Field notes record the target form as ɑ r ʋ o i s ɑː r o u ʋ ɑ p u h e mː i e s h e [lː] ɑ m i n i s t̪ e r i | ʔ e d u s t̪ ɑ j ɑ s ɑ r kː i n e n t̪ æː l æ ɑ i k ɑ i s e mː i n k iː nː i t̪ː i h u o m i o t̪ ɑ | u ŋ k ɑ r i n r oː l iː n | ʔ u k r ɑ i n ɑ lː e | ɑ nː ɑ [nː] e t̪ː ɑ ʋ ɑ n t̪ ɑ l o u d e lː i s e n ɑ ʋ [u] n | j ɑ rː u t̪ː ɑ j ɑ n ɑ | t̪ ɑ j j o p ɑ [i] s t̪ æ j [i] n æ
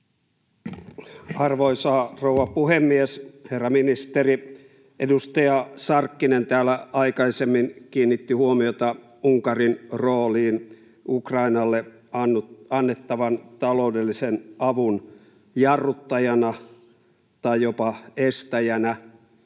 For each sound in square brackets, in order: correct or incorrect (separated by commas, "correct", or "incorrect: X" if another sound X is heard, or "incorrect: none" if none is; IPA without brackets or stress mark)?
incorrect: rː, correct, correct, incorrect: e, incorrect: æ